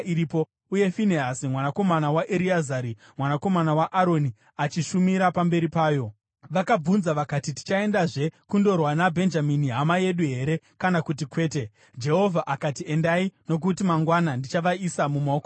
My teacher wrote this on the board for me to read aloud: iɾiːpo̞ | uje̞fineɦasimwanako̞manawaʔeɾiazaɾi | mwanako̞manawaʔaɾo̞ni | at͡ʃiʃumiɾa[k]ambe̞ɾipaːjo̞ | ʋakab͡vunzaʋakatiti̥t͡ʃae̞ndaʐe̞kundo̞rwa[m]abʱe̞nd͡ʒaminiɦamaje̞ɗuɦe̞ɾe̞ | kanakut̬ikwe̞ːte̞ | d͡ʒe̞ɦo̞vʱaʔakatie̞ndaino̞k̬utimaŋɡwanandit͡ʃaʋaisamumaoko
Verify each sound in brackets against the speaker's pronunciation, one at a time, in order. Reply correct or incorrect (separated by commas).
incorrect, incorrect